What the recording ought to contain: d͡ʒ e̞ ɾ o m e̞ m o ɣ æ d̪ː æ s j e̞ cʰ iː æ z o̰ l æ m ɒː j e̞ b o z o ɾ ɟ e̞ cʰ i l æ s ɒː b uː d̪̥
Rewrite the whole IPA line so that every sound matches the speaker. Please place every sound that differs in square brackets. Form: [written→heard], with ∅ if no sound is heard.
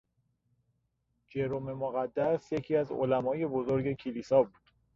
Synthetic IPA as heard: d͡ʒ e̞ ɾ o m e̞ m o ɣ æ d̪ː æ s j e̞ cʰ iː æ z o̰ l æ m ɒː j e̞ b o z o ɾ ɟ e̞ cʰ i l [æ→i] s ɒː b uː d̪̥

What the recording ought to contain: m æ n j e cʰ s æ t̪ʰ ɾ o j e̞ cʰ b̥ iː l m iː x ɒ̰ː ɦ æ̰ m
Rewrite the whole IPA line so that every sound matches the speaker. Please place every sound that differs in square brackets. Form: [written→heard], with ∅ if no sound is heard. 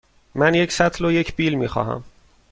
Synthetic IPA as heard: m æ n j e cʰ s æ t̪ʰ [ɾ→l] o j e̞ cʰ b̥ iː l m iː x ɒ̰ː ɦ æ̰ m

